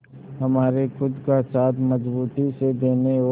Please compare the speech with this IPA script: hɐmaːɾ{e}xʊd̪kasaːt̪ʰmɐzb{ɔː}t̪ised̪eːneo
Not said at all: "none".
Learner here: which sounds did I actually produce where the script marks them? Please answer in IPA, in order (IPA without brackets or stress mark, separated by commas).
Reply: e, uː